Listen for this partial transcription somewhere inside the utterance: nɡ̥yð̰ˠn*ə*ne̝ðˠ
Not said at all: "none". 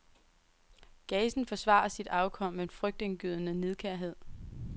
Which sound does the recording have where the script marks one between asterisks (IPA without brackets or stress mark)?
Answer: ə